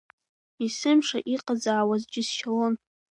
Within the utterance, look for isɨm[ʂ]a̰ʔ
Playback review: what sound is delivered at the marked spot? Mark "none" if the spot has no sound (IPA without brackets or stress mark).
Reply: ʂ